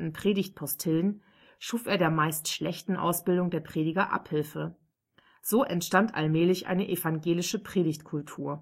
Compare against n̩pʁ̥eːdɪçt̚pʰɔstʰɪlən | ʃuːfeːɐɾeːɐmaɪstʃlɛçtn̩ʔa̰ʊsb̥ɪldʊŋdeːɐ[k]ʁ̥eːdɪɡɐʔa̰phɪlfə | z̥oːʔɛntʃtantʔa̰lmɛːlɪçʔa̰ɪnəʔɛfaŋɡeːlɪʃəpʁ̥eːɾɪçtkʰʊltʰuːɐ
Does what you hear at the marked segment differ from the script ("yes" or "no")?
yes